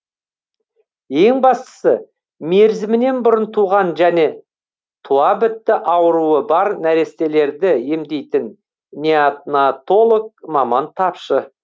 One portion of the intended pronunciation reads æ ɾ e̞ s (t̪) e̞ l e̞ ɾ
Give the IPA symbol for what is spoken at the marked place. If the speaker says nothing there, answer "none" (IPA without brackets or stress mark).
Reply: t̪